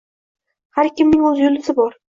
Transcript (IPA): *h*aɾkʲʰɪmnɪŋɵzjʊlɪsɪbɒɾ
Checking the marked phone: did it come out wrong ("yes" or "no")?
no